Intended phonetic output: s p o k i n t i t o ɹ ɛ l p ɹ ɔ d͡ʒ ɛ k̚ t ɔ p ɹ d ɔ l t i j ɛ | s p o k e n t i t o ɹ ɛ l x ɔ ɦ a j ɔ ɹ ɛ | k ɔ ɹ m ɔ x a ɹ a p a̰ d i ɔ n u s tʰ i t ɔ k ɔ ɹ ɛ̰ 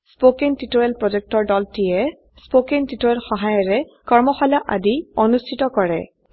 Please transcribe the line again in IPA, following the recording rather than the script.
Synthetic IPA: s p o k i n t i t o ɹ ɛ l p ɹ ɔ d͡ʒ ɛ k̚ t ɔ ɹ d ɔ l t i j ɛ | s p o k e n t i t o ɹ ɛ l x ɔ ɦ a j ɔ ɹ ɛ | k ɔ ɹ m ɔ x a l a ʔ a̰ d i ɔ n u s tʰ i t ɔ k ɔ ɹ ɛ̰